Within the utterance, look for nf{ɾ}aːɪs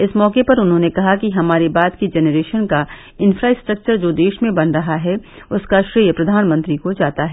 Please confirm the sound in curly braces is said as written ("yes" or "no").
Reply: yes